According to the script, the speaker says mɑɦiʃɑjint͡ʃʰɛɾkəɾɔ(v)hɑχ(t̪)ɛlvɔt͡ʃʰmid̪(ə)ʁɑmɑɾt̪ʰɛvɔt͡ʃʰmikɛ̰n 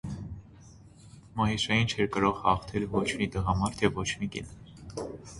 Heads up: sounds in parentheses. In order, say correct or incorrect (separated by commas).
incorrect, incorrect, correct